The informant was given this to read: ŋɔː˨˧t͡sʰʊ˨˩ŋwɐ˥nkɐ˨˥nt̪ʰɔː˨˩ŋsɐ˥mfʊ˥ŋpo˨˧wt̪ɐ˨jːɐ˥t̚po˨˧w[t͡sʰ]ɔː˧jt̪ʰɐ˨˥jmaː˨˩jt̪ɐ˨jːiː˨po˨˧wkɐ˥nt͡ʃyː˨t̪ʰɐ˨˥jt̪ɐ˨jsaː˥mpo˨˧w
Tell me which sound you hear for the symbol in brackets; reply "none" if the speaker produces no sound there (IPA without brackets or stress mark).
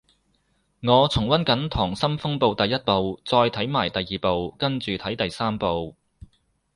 t͡s